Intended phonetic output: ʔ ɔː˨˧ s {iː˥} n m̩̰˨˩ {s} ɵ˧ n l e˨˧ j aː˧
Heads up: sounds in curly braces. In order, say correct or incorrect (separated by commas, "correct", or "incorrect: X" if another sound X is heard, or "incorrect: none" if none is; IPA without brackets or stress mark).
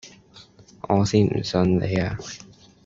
correct, correct